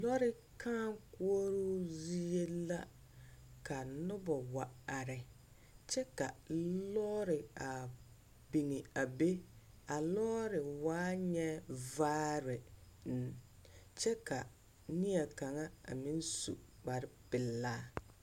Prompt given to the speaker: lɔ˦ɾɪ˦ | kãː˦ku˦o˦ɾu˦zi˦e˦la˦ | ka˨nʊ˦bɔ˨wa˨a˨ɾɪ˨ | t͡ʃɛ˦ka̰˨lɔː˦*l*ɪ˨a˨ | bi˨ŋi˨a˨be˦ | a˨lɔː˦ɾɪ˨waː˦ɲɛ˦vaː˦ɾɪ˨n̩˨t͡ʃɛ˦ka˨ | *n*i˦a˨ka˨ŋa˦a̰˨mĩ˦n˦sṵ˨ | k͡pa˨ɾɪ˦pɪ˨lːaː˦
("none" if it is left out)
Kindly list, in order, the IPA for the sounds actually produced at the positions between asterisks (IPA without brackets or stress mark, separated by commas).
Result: ɾ, n